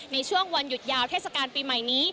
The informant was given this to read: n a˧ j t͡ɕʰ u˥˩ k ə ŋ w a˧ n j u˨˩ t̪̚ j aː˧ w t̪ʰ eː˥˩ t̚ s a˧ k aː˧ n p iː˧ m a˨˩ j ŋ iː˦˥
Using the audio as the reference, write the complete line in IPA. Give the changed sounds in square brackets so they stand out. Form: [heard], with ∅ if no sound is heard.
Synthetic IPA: n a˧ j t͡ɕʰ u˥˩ [∅] ə ŋ w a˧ n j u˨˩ t̪̚ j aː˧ w t̪ʰ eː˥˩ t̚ s a˧ k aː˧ n p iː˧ m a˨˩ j [n] iː˦˥